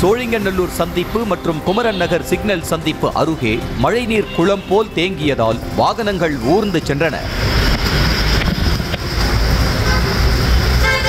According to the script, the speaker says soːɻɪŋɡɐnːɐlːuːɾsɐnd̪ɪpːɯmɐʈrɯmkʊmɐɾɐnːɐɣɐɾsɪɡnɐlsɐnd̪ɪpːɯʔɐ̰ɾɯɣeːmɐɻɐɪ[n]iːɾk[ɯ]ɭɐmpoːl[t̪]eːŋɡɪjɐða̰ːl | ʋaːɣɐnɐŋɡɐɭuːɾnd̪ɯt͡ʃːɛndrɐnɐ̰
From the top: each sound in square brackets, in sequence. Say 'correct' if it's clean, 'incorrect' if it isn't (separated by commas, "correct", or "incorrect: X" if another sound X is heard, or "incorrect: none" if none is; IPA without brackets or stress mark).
correct, incorrect: ʊ, correct